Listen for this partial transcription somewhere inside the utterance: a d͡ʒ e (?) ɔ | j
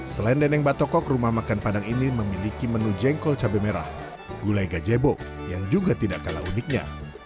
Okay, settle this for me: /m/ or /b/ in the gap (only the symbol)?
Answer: b